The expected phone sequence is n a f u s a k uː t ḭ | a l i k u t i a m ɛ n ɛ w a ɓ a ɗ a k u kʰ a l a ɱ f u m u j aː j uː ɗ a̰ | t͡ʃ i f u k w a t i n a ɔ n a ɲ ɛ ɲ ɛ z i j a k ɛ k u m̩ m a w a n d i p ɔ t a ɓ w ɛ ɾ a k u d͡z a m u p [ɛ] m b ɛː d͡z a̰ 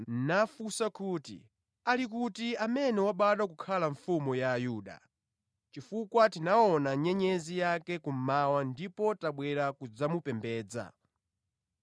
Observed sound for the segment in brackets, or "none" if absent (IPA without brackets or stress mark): ɛ